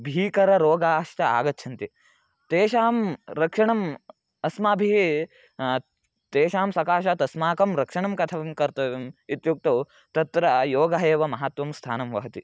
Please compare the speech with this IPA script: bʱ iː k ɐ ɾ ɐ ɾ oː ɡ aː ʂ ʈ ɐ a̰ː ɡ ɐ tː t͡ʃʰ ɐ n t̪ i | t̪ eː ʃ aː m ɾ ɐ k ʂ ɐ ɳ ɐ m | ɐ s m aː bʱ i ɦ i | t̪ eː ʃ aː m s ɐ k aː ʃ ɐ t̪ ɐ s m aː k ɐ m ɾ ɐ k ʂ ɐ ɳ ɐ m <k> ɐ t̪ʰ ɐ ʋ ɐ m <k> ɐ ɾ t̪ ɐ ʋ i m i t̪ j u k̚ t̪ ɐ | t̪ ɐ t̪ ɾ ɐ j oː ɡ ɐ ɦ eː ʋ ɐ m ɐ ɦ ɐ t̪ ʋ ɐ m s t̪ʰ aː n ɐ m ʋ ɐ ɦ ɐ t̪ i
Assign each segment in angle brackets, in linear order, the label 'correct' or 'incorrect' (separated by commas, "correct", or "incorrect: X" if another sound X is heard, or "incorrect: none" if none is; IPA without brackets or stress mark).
correct, correct